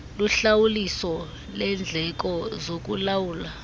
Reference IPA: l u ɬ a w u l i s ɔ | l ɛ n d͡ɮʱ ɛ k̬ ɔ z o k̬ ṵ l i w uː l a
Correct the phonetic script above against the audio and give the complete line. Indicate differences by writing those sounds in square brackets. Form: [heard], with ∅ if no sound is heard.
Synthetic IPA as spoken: l u ɬ a w u l i s ɔ | l ɛ n d͡ɮʱ ɛ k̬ ɔ z o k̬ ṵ l [a] w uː l a